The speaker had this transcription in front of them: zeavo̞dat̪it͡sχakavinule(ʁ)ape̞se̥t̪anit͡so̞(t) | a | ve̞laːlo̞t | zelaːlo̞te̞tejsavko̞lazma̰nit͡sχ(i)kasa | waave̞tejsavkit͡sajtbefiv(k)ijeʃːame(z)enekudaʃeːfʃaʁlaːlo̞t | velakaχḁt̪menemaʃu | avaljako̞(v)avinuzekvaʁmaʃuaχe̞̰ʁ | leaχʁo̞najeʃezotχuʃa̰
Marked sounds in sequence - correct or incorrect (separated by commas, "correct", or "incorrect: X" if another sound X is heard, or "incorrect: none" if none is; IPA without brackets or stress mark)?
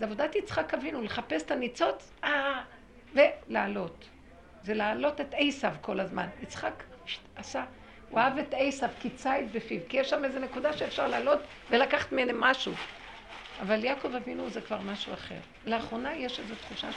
incorrect: χ, incorrect: t͡s, incorrect: a, correct, correct, correct